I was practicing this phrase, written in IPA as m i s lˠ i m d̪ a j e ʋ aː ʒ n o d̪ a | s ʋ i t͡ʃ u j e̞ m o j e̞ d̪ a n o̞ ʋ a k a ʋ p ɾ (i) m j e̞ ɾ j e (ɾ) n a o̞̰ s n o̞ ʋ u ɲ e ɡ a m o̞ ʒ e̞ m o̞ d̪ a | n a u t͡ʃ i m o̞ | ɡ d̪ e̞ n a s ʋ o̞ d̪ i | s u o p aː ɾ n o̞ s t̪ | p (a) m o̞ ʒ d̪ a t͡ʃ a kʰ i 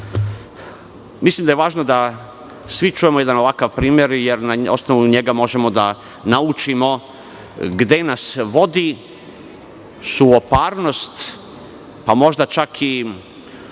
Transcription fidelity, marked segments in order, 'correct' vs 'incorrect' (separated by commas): incorrect, correct, correct